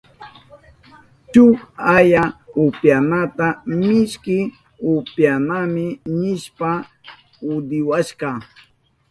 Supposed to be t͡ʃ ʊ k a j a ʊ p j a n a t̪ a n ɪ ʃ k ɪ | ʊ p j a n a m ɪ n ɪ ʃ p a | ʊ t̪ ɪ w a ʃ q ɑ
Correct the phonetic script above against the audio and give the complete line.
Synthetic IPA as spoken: t͡ʃ ʊ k a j a ʊ p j a n a t̪ a m ɪ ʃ k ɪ | ʊ p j a n a m ɪ n ɪ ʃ p a | ʊ d̪ ɪ w a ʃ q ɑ